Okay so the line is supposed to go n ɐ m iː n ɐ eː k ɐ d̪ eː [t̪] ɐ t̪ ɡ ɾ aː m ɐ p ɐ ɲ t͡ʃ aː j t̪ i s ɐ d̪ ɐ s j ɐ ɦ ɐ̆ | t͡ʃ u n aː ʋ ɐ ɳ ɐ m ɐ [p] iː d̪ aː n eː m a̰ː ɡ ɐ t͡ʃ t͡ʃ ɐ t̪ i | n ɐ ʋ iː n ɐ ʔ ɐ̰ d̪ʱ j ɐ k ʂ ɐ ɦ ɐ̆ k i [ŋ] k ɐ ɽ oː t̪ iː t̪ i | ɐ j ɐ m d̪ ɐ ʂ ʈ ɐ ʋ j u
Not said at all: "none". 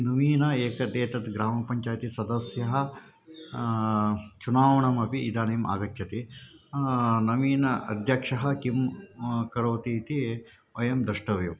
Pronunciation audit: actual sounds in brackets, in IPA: t̪, p, m

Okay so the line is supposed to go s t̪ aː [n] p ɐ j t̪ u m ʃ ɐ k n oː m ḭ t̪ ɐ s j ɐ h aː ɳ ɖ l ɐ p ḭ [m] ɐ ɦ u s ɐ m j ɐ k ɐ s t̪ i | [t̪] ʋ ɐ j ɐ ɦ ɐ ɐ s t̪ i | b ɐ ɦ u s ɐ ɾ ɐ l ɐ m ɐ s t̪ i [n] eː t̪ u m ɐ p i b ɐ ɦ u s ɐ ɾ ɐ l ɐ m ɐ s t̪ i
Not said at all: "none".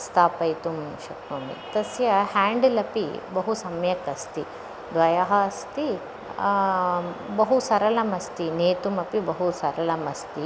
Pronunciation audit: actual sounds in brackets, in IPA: none, b, d̪, n

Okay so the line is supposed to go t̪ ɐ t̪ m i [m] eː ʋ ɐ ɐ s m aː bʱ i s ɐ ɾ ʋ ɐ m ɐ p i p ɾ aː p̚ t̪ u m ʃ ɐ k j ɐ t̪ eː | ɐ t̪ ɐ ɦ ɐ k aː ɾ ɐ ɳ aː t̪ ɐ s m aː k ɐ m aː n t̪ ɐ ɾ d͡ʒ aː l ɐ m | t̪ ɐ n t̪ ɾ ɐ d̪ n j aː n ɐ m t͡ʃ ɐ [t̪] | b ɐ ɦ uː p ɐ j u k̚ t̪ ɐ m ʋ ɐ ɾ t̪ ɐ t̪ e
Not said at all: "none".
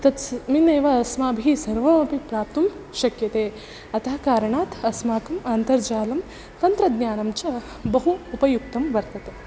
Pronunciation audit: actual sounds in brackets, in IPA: n, none

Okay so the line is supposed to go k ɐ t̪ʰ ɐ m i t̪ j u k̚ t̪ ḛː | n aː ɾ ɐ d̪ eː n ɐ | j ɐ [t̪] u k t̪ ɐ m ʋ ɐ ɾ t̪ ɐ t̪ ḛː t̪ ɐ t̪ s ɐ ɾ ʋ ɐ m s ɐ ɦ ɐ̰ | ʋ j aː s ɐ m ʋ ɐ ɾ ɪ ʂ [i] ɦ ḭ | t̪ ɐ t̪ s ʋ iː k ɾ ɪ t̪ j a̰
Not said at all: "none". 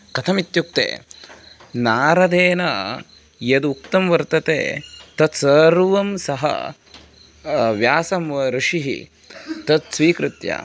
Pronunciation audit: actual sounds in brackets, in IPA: d̪, i

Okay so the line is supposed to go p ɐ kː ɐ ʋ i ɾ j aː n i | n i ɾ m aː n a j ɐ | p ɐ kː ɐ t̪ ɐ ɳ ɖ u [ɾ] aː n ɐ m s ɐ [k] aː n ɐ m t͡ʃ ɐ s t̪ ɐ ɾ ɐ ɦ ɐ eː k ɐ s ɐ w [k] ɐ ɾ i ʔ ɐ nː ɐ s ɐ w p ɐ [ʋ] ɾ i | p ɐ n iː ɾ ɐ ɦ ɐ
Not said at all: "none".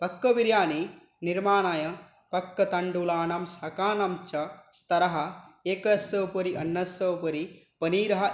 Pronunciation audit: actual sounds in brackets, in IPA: l, k, p, none

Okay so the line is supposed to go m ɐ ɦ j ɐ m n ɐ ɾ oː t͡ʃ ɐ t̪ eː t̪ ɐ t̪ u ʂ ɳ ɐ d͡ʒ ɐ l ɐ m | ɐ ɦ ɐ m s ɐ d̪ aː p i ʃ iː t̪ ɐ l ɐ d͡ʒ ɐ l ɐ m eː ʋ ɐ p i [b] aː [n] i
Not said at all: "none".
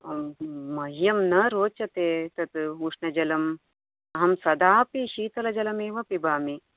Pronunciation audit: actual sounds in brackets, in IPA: b, m

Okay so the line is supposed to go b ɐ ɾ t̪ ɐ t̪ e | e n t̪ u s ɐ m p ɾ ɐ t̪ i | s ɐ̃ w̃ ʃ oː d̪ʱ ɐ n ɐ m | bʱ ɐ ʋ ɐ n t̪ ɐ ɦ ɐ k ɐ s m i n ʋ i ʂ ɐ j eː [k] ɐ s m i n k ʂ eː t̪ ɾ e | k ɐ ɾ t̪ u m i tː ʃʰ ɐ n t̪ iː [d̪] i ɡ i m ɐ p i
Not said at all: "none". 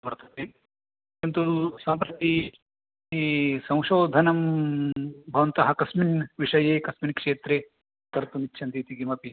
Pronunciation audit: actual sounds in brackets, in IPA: k, t̪

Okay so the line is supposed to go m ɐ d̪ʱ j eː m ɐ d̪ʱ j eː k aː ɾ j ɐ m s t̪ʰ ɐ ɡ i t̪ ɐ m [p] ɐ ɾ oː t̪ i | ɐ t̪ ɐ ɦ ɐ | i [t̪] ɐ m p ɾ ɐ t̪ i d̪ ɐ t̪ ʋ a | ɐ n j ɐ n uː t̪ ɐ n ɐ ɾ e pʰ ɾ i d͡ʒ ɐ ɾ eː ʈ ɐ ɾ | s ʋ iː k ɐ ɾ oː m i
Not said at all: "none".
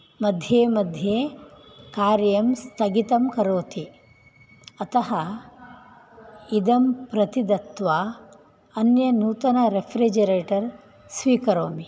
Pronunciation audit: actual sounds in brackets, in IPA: k, d̪

